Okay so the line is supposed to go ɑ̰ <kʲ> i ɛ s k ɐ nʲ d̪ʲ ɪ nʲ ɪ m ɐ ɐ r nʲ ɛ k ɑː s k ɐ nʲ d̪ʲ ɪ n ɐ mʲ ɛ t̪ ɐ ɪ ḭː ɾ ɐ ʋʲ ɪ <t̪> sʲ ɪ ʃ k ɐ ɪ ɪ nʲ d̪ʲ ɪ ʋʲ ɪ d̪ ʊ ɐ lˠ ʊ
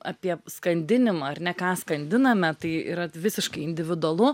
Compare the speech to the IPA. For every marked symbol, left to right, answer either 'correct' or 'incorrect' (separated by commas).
incorrect, incorrect